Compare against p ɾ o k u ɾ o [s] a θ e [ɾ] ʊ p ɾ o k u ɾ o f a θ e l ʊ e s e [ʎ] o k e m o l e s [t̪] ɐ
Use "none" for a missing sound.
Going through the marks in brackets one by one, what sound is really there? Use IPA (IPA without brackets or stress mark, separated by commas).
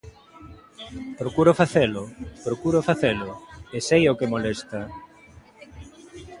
f, l, j, t̪